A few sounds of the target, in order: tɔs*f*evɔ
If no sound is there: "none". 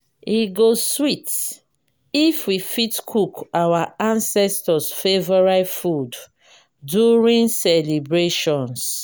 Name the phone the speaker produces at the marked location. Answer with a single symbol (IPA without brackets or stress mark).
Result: f